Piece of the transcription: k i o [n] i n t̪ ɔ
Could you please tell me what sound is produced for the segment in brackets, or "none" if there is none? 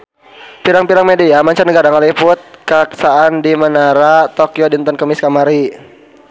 d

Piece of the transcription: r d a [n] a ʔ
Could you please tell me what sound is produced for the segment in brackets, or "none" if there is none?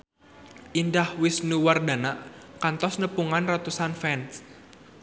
n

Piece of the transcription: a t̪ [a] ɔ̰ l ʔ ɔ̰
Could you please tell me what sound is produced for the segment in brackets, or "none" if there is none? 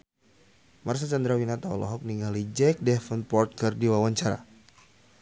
a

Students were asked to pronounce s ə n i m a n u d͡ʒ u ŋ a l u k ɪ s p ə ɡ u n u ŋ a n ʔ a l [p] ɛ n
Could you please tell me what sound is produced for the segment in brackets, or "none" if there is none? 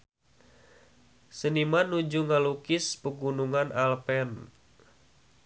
p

